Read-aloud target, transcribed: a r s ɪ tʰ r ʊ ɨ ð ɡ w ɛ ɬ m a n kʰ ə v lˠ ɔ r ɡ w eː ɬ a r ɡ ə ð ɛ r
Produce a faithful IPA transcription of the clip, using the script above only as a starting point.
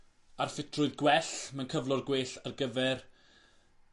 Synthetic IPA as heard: a r f ɪ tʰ r ʊ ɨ ð ɡ w ɛ ɬ m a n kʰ ə v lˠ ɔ r ɡ w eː ɬ a r ɡ ə v ɛ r